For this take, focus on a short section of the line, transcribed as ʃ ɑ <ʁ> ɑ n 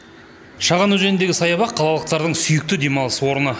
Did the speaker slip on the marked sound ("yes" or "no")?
no